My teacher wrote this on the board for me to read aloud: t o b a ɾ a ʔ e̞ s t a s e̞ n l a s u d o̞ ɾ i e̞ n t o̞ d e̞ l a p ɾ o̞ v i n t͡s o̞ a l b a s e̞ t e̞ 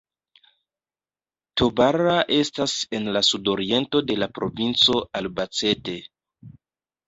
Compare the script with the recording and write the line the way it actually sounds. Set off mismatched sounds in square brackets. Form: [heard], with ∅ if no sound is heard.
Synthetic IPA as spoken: t o b a ɾ a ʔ e̞ s t a s e̞ n l a s u d o̞ ɾ i e̞ n t o̞ d e̞ l a p ɾ o̞ v i n t͡s o̞ a l b a [t͡s] e̞ t e̞